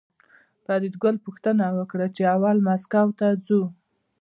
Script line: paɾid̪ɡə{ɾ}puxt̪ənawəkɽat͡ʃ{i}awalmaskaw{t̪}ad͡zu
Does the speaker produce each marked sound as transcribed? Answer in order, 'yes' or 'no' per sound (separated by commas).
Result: no, no, yes